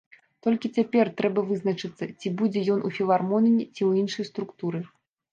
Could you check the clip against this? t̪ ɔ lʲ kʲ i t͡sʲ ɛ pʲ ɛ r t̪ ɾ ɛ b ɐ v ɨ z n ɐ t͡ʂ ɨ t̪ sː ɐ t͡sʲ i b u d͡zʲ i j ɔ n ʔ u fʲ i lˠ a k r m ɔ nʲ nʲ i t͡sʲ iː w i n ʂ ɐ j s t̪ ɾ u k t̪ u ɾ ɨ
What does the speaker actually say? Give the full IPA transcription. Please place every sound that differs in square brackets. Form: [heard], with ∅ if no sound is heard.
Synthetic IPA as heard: t̪ ɔ lʲ kʲ i t͡sʲ [a] pʲ ɛ r t̪ ɾ ɛ b ɐ v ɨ z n ɐ t͡ʂ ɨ t̪ sː ɐ t͡sʲ i b u d͡zʲ [ɛ] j ɔ n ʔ u fʲ i lˠ a [∅] r m ɔ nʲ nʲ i t͡sʲ [i] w i n ʂ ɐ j s t̪ ɾ u k t̪ u ɾ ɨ